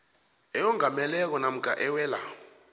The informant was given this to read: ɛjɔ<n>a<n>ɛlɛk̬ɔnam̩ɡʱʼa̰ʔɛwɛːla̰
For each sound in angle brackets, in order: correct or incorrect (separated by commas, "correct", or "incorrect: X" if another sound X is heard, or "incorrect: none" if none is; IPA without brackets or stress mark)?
incorrect: ŋ, incorrect: m